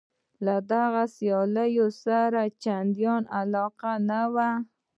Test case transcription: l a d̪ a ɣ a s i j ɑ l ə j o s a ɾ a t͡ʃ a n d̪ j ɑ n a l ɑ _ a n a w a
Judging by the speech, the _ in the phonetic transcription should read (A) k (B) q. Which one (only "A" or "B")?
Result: B